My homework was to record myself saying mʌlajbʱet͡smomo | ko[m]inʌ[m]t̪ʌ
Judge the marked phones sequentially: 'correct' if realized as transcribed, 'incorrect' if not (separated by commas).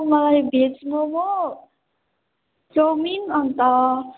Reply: correct, incorrect